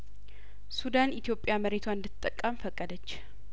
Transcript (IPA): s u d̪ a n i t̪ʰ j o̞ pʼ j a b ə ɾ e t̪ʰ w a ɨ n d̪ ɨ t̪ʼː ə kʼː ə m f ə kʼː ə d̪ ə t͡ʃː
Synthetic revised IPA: s u d̪ a n i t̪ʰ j o̞ pʼ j a m ə ɾ e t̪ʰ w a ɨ n d̪ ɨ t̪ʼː ə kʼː ə m f ə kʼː ə d̪ ə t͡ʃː